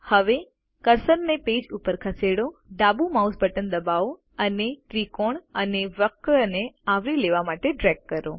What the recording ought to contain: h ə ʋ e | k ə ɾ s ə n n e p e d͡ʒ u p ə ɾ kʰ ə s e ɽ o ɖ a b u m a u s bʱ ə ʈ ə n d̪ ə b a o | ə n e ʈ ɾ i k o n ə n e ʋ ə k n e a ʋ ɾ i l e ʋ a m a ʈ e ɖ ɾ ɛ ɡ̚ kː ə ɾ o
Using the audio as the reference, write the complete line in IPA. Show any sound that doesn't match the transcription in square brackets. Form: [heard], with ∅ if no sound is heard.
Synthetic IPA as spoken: h ə ʋ e | k ə ɾ s ə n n e p e d͡ʒ u p ə ɾ kʰ ə s e ɽ o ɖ a b u m a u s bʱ ə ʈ ə n d̪ ə b a o | ə n e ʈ ɾ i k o [ɳ] ə n e ʋ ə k n e a ʋ ɾ i l e ʋ a m a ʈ e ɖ ɾ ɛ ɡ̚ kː ə ɾ o